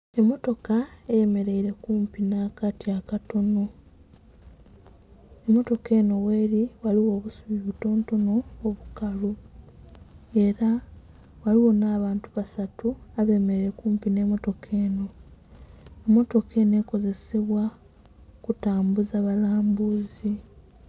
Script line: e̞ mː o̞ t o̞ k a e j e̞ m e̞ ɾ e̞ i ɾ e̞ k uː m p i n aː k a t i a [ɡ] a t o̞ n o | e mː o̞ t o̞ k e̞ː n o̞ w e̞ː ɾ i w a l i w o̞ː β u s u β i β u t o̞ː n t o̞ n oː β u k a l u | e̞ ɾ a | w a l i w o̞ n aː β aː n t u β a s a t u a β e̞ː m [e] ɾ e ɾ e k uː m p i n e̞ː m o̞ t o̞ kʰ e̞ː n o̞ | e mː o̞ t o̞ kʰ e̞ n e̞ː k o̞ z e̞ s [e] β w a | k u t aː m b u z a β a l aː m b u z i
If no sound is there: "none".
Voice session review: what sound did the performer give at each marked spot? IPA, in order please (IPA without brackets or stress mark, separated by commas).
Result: k, e, e